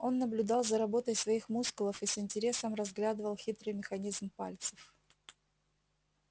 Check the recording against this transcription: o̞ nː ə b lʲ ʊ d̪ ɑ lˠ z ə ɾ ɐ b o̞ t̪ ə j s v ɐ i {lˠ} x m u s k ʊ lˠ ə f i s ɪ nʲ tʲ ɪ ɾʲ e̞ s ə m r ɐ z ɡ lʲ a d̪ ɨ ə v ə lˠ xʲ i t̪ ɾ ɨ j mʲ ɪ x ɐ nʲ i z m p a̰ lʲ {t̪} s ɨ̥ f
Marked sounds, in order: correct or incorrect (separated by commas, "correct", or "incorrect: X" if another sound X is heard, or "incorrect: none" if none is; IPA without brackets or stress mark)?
incorrect: none, correct